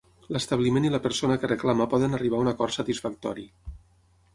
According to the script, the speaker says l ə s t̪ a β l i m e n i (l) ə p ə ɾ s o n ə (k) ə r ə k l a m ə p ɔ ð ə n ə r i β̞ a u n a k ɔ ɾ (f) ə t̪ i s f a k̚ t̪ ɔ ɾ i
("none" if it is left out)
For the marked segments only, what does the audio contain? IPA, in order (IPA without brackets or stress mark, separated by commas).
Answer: l, k, s